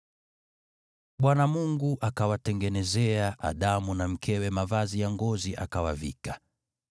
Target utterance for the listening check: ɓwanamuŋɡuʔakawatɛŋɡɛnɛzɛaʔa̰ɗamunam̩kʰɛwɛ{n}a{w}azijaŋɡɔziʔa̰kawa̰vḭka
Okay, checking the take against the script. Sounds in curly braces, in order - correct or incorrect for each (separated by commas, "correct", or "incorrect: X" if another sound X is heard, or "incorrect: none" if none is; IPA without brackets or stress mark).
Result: incorrect: m, incorrect: v